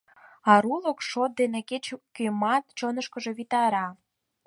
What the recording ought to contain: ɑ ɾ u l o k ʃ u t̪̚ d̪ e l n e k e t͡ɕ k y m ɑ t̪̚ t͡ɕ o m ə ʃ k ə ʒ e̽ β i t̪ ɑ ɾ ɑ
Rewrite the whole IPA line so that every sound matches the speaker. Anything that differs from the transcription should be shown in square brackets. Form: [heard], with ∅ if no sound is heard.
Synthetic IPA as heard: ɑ ɾ u l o k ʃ [o] t̪̚ d̪ e [∅] n e k e t͡ɕ k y m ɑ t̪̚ t͡ɕ o [n] ə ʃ k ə ʒ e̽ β i t̪ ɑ ɾ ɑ